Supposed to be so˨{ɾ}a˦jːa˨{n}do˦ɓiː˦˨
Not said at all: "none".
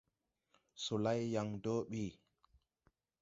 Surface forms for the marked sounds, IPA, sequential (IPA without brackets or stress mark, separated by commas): l, ŋ